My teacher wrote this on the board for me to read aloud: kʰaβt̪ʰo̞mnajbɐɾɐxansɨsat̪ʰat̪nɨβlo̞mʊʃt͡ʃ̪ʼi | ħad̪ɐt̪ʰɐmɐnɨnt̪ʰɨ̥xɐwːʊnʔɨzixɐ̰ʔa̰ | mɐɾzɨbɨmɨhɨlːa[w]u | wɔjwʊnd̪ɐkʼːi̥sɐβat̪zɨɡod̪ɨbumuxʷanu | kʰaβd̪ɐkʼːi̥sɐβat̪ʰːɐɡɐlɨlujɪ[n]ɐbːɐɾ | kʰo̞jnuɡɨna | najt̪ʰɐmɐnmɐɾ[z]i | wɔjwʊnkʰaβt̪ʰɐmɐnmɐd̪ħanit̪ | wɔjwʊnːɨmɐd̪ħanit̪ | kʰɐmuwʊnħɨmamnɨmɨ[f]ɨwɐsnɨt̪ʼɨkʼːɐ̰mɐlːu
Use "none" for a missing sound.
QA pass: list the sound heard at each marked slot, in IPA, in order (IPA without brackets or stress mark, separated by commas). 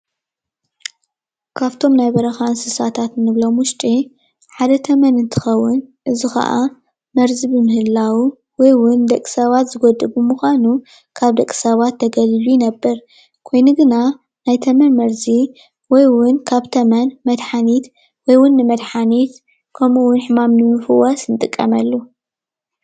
w, n, z, f